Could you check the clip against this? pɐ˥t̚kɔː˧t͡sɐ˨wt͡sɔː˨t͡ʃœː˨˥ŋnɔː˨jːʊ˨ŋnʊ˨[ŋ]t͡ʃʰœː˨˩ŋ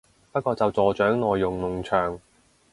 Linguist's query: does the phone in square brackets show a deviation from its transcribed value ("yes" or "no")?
no